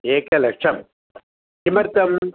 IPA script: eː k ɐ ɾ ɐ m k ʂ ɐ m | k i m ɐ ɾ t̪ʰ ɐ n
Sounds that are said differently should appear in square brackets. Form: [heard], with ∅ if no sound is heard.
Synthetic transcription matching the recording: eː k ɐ [l] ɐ [∅] k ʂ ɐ m | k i m ɐ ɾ [t̪] ɐ [m]